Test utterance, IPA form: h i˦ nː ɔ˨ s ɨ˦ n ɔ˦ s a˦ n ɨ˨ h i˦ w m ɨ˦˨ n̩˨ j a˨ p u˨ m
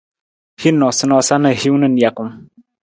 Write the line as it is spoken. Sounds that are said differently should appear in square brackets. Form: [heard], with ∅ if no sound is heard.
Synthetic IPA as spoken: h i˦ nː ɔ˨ s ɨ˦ n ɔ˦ s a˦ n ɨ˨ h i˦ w [n] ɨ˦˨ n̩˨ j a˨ [k] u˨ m